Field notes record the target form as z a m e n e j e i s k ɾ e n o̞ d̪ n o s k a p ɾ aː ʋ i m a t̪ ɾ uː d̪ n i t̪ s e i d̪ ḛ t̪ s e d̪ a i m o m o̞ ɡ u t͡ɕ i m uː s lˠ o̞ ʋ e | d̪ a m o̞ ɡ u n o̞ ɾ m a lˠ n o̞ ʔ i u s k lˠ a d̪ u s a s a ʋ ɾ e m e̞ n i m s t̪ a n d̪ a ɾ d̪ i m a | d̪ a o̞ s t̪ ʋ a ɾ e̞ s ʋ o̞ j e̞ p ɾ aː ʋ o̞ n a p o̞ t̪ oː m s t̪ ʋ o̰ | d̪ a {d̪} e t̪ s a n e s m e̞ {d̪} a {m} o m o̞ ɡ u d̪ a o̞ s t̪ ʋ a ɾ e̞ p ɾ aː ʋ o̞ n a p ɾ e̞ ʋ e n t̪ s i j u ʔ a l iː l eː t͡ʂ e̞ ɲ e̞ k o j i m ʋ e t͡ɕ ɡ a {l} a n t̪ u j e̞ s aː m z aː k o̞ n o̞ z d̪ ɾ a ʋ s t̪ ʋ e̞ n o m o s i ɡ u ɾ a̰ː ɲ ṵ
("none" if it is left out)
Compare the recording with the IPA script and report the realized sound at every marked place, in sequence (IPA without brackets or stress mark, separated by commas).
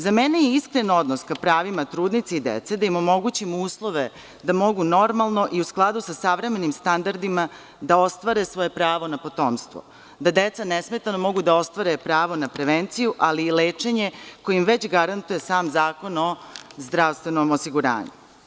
d̪, t̪, n, ɾ